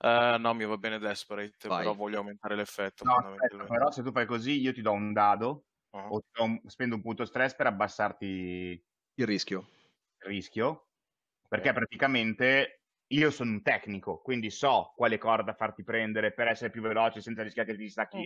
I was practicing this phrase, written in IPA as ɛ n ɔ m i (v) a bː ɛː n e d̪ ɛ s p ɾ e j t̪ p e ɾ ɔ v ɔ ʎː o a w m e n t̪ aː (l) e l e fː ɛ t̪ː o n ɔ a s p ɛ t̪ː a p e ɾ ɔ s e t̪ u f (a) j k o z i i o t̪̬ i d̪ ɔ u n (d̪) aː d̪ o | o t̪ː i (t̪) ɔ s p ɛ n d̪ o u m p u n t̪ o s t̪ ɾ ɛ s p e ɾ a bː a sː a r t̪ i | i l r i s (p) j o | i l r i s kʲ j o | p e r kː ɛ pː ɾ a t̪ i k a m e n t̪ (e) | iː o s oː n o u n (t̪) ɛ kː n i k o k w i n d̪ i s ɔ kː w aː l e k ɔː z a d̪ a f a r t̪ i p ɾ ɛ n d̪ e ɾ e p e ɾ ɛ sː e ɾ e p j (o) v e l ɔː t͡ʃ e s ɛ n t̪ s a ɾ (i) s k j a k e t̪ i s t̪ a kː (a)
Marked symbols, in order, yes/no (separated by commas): yes, no, yes, yes, no, no, yes, yes, no, yes, no